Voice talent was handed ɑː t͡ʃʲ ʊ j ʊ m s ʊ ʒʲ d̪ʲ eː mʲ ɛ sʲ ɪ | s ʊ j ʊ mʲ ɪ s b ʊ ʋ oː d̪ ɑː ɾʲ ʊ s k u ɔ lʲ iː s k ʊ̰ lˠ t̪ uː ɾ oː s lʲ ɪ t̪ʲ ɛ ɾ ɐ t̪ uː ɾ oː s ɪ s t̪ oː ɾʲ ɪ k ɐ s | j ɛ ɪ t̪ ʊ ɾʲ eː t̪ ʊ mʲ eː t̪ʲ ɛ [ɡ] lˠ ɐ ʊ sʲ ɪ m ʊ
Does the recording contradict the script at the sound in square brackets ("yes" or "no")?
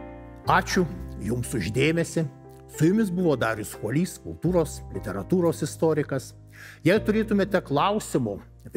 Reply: yes